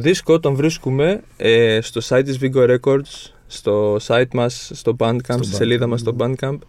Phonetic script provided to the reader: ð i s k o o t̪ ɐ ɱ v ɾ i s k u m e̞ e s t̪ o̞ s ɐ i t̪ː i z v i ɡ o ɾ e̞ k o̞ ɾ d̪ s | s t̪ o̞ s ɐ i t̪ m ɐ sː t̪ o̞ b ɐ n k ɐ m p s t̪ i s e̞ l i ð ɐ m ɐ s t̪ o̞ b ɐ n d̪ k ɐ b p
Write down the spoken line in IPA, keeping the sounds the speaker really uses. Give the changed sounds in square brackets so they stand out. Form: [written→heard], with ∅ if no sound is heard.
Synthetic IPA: ð i s k o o t̪ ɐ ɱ v ɾ i s k u m e̞ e s t̪ o̞ s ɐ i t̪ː i z v i ɡ o ɾ e̞ k o̞ ɾ d̪ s | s t̪ o̞ s ɐ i t̪ m ɐ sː t̪ o̞ b ɐ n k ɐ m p s t̪ i s e̞ l i ð ɐ m ɐ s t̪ o̞ b ɐ n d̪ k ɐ [b→m] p